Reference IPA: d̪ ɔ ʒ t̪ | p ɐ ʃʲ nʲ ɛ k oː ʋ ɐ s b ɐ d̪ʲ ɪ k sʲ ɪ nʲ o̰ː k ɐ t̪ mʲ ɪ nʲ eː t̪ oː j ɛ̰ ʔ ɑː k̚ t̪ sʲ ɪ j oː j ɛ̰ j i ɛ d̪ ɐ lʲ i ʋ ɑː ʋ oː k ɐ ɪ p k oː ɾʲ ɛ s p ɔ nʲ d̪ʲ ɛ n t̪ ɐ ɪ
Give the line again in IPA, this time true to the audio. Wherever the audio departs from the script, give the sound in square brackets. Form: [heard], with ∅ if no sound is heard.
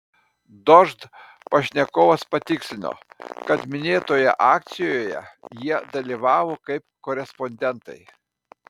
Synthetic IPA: d̪ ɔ ʒ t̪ | p ɐ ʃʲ nʲ ɛ k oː ʋ ɐ s [p] ɐ [t̪ʲ] ɪ k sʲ ɪ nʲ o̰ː k ɐ t̪ mʲ ɪ nʲ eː t̪ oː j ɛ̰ ʔ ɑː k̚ t̪ sʲ ɪ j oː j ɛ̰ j i ɛ d̪ ɐ lʲ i ʋ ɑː ʋ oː k ɐ ɪ p k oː ɾʲ ɛ s p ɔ nʲ d̪ʲ ɛ n t̪ ɐ ɪ